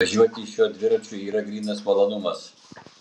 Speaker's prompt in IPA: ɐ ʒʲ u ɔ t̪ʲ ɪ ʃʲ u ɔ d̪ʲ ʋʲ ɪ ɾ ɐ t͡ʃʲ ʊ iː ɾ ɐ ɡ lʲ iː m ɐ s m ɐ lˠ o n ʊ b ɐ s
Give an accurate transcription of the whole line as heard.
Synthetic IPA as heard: ɐ ʒʲ u ɔ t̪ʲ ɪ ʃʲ u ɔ d̪ʲ ʋʲ ɪ ɾ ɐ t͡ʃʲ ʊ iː ɾ ɐ ɡ ɾʲ iː n ɐ s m ɐ lˠ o n ʊ m ɐ s